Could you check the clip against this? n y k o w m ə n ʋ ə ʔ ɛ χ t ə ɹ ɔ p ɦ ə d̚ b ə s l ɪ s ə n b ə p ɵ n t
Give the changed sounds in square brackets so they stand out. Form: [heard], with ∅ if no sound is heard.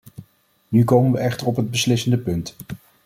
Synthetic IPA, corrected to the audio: n y k o w m ə n ʋ ə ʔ ɛ χ t ə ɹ ɔ p ɦ ə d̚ b ə s l ɪ s ə n [d] ə p ɵ n t